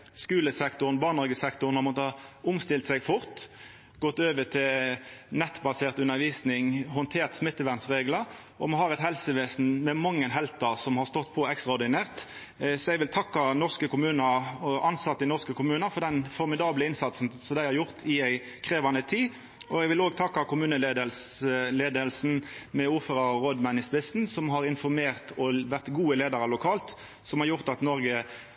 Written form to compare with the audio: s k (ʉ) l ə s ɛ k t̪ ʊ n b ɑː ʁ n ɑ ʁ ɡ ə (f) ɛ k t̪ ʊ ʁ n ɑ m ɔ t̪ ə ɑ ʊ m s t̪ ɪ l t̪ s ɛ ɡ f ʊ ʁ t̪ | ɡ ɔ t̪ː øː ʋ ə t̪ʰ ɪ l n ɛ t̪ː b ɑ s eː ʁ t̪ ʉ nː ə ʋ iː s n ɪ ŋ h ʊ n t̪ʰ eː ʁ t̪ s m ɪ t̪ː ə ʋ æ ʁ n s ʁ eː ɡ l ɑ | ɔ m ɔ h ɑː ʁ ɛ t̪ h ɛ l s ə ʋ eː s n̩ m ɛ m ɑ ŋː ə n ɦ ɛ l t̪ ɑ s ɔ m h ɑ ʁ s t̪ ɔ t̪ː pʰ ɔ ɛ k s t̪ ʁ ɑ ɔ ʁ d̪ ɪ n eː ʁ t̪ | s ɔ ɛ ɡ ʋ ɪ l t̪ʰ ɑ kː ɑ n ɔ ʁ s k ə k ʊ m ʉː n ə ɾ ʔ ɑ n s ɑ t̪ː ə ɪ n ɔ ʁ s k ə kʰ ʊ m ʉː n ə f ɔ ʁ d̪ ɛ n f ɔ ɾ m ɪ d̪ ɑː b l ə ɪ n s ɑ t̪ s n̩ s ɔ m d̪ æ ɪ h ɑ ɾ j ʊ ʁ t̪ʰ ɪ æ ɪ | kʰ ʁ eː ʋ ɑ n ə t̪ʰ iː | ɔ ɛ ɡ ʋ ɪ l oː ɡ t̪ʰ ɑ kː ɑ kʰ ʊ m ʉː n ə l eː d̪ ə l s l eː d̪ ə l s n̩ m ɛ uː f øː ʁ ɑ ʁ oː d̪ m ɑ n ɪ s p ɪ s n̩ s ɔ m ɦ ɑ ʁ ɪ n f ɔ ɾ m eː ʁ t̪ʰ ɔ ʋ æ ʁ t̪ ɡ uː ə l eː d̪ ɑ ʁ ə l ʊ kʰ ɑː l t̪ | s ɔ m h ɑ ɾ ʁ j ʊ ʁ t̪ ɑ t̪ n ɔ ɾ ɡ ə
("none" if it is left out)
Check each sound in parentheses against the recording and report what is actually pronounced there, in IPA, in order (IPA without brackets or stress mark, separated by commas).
ʉː, s